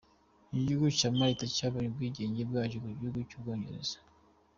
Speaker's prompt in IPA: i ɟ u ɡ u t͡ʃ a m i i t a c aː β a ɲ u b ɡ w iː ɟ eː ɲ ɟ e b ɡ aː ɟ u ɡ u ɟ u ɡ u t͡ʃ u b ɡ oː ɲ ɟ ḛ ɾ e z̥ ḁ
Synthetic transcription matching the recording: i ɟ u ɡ u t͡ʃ a m a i t a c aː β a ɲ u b ɡ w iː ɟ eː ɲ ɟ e b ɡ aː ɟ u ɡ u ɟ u ɡ u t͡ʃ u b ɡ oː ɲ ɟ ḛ ɾ e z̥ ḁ